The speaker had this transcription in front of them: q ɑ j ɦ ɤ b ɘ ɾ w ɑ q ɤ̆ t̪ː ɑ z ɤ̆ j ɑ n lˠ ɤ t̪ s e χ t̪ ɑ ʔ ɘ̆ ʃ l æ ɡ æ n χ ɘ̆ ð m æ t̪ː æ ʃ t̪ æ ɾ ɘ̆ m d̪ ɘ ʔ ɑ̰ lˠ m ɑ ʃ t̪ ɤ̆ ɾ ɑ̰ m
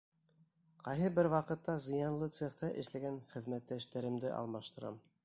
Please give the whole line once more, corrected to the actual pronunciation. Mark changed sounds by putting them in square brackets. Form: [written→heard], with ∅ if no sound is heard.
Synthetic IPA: q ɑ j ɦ ɤ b ɘ ɾ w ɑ q ɤ̆ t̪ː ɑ z ɤ̆ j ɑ n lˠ ɤ t̪ s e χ t̪ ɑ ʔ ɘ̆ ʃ l æ ɡ æ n χ ɘ̆ ð m æ t̪ː æ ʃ t̪ æ ɾ ɘ̆ m d̪ ɘ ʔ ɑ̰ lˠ m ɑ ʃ t̪ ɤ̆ ɾ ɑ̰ m